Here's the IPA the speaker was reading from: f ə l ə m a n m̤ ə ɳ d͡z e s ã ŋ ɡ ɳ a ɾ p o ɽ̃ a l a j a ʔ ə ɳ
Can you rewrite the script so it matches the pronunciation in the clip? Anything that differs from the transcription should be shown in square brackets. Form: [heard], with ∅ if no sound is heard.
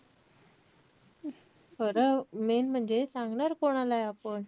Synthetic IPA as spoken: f ə [ɾ] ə m [e] n m̤ ə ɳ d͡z e s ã ŋ ɡ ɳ a ɾ [k] o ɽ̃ a l a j a [p] ə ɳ